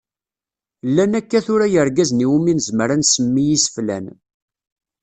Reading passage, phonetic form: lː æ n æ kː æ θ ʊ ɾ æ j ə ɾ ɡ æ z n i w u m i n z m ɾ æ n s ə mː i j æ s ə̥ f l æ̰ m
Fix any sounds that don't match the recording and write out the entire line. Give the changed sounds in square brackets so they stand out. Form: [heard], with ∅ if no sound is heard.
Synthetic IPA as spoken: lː æ n æ kː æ θ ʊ ɾ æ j ə ɾ ɡ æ z n i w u m i n z m ɾ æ n s ə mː i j [i] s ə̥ f l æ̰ [n]